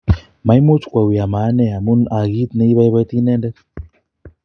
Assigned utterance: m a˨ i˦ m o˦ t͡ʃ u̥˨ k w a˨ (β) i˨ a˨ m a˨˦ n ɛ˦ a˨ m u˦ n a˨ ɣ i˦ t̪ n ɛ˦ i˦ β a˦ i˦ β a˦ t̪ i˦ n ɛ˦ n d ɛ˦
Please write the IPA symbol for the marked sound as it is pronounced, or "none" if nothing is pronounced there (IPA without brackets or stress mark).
w